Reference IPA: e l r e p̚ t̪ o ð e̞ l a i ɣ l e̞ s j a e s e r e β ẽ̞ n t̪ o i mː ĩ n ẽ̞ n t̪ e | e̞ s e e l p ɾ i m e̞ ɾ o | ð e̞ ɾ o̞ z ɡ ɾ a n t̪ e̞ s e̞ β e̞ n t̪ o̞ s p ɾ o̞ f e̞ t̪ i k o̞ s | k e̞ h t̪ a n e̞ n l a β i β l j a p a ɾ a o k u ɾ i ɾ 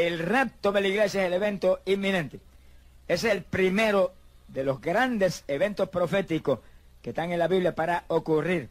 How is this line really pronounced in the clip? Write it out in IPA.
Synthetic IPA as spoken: e l r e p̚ t̪ o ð e̞ l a i ɣ l e̞ s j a e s e l e β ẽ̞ n t̪ o i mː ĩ n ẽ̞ n t̪ e | e̞ s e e l p ɾ i m e̞ ɾ o | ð e̞ l o̞ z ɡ ɾ a n d̪ e̞ s e̞ β e̞ n t̪ o̞ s p ɾ o̞ f e̞ t̪ i k o̞ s | k e̞ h t̪ a ŋ e̞ n l a β i β l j a p a ɾ a o k u r i ɾ

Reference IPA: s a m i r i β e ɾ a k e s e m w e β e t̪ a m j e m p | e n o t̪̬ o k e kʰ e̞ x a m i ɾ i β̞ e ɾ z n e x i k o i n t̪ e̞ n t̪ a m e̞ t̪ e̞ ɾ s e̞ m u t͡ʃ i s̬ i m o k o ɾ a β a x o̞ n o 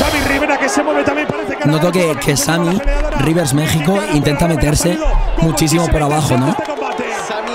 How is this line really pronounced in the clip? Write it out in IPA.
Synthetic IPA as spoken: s a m i r i β e ɾ a k e s e m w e β e t̪ a m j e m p | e n o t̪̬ o k e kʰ e̞ s a m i r i β̞ e ɾ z m e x i k o i n t̪ e̞ n t̪ a m e̞ t̪ e̞ ɾ s e̞ m u t͡ʃ i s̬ i m o p o ɾ a β a x o̞ n o

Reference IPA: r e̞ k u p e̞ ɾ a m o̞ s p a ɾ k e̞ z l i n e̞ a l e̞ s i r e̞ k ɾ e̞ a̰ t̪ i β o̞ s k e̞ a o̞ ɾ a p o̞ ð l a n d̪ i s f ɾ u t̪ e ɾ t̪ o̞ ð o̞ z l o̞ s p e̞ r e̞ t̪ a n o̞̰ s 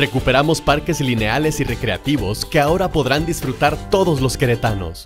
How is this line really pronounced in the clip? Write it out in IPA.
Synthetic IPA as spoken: r e̞ k u p e̞ ɾ a m o̞ s p a ɾ k e̞ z l i n e̞ a l e̞ s i r e̞ k ɾ e̞ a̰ t̪ i β o̞ s k e̞ a o̞ ɾ a p o̞ ð ɾ a n d̪ i s f ɾ u t̪ a ɾ t̪ o̞ ð o̞ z l o̞ s k e̞ ɾ e̞ t̪ a n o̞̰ s

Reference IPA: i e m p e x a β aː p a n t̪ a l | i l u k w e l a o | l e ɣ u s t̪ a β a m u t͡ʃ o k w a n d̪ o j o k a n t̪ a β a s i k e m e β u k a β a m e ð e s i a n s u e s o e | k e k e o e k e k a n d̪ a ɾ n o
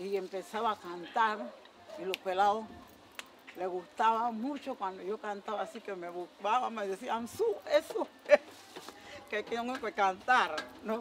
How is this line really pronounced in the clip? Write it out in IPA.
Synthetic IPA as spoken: i e m p e s a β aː k a n t̪ a ɾ | i l o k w e l a o | l e ɣ u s t̪ a β a m u t͡ʃ o k w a n d̪ o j o k a n t̪ a β a s i k e m e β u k a β a m e ð e s i a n s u e s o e | k e k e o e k e k a n t̪ a ɾ n o

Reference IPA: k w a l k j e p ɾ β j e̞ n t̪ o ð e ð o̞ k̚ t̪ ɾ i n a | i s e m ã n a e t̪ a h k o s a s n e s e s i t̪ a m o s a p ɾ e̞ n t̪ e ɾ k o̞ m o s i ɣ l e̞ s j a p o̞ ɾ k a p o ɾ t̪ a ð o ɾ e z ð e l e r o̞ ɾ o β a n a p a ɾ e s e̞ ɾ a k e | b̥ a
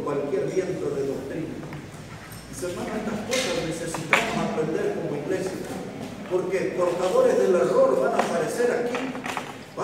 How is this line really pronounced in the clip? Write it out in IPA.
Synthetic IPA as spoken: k w a l k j e ɾ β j e̞ n t̪ o ð e ð o̞ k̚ t̪ ɾ i n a | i s e m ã n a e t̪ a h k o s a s n e s e s i t̪ a m o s a p ɾ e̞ n d̪ e ɾ k o̞ m o i ɣ l e̞ s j a p o̞ ɾ k e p o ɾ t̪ a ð o ɾ e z ð e l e r o̞ ɾ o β a n a p a ɾ e s e̞ ɾ a k i | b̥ a

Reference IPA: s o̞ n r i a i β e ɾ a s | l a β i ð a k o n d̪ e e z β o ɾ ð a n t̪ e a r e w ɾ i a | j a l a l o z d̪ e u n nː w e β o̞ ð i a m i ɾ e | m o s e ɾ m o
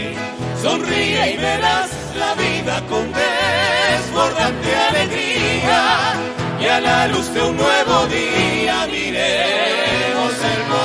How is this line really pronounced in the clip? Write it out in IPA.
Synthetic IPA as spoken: s o̞ n r i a i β e ɾ a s | l a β i ð a k o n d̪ e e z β o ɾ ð a n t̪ e a l e ɣ ɾ i a | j a l a l u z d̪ e u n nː w e β o̞ ð i a m i ɾ e | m o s e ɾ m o

